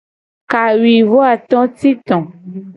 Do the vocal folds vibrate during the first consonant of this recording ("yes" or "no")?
no